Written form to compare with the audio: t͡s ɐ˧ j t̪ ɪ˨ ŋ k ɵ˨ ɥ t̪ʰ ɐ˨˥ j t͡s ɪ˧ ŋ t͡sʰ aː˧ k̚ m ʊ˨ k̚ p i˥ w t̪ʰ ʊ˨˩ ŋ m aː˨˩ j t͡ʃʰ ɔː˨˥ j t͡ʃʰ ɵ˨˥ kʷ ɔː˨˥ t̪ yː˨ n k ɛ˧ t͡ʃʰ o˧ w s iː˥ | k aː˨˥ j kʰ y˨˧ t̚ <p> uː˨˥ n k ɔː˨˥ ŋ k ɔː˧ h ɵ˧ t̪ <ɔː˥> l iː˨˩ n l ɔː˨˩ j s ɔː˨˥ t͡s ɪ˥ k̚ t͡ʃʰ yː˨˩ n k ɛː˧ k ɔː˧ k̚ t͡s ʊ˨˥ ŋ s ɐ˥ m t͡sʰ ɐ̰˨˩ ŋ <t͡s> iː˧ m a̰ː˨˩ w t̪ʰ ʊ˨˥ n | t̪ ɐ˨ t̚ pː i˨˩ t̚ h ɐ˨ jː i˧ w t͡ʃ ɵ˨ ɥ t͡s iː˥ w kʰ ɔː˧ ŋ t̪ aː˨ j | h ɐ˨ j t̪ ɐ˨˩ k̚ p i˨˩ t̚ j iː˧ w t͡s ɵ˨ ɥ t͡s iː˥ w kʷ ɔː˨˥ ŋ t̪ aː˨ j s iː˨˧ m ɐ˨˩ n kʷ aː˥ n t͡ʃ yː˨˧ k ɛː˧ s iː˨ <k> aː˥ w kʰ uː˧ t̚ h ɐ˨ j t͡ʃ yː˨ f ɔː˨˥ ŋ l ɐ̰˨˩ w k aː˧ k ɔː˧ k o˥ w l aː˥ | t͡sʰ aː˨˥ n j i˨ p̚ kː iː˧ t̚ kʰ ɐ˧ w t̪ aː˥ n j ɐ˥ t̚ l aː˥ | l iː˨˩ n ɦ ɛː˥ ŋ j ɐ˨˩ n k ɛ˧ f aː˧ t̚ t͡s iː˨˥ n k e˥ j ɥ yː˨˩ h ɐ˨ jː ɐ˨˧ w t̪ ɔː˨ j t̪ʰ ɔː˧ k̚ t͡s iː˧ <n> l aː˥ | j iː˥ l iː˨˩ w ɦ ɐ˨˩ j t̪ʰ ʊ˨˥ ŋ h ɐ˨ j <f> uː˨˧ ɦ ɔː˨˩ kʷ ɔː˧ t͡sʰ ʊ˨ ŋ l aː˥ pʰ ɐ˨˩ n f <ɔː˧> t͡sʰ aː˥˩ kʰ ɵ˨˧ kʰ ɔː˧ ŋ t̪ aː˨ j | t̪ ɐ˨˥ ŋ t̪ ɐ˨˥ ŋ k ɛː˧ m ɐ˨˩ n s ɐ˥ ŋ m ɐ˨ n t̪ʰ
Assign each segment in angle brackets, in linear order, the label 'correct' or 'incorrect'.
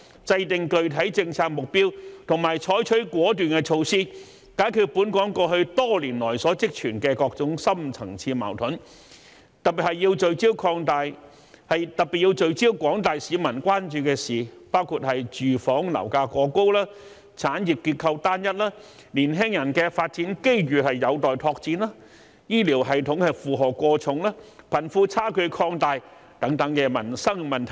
correct, correct, incorrect, incorrect, correct, correct, incorrect

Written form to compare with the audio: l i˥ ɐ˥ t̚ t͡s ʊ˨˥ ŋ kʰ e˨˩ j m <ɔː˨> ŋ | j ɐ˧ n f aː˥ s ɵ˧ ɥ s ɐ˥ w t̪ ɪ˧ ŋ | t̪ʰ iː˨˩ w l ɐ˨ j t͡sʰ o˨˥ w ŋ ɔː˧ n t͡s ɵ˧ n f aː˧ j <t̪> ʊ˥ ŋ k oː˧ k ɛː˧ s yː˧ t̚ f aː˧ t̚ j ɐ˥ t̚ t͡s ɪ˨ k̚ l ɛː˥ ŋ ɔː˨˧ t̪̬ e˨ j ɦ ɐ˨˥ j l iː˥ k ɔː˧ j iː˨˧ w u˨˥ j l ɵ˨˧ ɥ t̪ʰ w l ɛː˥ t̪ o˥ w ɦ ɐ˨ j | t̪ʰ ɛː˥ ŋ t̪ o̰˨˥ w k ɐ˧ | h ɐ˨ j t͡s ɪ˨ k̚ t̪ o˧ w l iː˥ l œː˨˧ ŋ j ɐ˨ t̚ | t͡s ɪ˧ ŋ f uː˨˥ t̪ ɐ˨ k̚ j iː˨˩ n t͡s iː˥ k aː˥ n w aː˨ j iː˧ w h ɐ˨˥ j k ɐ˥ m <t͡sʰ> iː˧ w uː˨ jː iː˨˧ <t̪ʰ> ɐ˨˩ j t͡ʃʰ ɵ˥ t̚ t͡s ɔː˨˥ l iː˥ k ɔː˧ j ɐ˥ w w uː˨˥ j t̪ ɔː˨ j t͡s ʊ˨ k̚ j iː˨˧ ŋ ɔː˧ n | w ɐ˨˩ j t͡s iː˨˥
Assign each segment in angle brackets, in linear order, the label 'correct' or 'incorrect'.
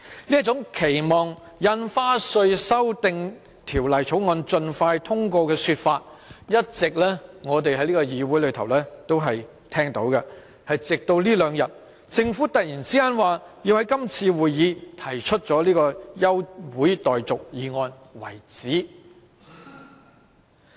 correct, incorrect, correct, correct

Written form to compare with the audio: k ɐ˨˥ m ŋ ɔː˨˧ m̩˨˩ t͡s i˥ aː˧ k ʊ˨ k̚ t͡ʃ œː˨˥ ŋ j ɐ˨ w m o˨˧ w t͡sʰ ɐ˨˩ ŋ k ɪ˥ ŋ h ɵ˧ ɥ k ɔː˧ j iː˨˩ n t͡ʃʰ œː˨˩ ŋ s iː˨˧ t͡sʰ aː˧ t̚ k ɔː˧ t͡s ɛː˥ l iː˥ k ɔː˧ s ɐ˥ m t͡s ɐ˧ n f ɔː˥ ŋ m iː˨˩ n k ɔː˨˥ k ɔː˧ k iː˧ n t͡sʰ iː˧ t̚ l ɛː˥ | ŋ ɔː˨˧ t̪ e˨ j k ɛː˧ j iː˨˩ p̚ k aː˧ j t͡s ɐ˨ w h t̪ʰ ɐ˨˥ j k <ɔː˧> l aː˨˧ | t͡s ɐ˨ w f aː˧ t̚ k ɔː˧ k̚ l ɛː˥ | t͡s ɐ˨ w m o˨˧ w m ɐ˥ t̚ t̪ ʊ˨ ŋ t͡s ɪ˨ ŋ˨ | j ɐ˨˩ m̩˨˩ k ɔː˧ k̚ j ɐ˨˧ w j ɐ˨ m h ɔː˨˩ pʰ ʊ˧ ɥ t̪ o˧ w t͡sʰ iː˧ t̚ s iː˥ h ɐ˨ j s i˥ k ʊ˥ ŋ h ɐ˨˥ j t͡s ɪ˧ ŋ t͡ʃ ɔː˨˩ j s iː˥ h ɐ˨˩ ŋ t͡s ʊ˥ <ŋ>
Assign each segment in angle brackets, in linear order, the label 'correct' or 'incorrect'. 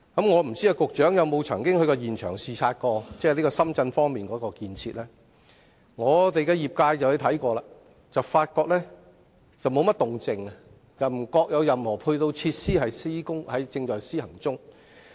correct, correct

